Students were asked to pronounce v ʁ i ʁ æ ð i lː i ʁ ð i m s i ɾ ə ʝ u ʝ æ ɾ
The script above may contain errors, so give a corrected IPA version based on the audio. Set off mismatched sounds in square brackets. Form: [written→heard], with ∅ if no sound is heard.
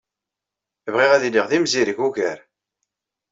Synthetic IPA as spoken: v ʁ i ʁ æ ð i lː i ʁ ð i m [s→z] i ɾ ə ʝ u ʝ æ ɾ